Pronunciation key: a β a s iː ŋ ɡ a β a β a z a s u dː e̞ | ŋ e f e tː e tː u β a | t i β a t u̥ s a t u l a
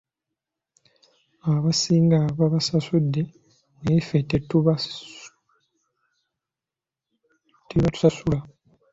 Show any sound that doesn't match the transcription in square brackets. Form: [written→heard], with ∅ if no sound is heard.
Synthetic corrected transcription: a β a s iː ŋ ɡ a β a β a [z→s] a s u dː e̞ | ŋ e f e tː e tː u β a | t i β a t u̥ s a [t→s] u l a